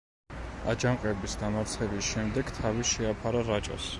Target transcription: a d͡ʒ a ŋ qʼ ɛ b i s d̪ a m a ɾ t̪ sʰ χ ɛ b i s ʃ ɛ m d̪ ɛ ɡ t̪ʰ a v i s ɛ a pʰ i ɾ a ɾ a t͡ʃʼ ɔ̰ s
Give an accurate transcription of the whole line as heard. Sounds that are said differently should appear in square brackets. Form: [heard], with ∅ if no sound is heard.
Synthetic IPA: a d͡ʒ a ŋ qʼ ɛ b i s d̪ a m a ɾ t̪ sʰ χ ɛ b i s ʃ ɛ m d̪ ɛ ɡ t̪ʰ a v i [ʃ] ɛ a pʰ [a] ɾ a ɾ a t͡ʃʼ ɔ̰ s

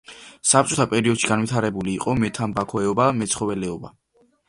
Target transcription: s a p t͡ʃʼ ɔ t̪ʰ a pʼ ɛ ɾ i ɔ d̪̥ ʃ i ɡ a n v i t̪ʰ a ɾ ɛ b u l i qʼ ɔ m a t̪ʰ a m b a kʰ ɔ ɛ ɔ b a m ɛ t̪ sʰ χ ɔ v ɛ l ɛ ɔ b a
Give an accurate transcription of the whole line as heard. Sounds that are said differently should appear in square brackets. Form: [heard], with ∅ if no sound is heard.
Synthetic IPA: s a p t͡ʃʼ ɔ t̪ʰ a pʼ ɛ ɾ i ɔ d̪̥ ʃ i ɡ a n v i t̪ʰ a ɾ ɛ b u l [iː] qʼ ɔ m [ɛ] t̪ʰ a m b a kʰ ɔ ɛ ɔ b a m ɛ t̪ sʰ χ ɔ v ɛ l ɛ ɔ b a

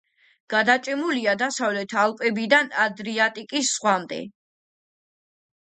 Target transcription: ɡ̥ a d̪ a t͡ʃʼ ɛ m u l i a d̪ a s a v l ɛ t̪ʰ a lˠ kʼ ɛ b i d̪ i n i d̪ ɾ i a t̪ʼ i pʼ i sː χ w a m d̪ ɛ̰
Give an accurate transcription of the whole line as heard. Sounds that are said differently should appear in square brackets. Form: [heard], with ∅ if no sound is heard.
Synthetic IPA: ɡ̥ a d̪ a t͡ʃʼ ɛ m u l i a d̪ a s a v l ɛ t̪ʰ a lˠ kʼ ɛ b i d̪ [a] n [a] d̪ ɾ i a t̪ʼ i [kʼ] i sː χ w a m d̪ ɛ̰

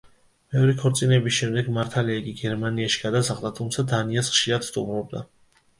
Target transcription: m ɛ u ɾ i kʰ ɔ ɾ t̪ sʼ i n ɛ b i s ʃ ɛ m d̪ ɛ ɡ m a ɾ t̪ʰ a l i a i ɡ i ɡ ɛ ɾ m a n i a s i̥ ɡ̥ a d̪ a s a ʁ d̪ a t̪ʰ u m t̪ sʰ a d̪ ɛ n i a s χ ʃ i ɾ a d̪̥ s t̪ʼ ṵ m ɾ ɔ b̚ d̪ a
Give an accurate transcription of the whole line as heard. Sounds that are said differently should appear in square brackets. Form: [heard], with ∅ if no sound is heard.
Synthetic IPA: m ɛ [ɔ] ɾ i kʰ ɔ ɾ t̪ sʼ i n ɛ b i s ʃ ɛ m d̪ ɛ ɡ m a ɾ t̪ʰ a l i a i ɡ i ɡ ɛ ɾ m a n i a [ʃ] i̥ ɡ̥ a d̪ a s a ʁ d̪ a t̪ʰ u m t̪ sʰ a d̪ [a] n i a s χ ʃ i ɾ a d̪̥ s t̪ʼ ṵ m ɾ ɔ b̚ d̪ a

